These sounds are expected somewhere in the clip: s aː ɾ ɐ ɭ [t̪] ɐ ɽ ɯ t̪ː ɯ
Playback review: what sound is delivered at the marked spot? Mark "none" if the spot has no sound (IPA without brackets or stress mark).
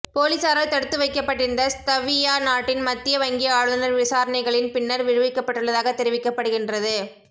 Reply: t̪